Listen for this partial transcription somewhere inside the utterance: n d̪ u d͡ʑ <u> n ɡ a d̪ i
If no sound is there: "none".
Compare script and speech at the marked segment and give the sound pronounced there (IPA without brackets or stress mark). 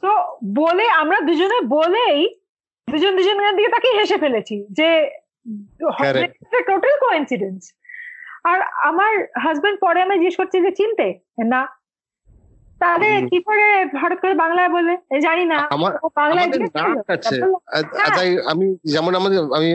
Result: o